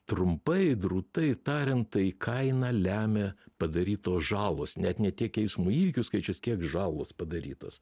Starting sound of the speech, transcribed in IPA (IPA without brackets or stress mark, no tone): t̪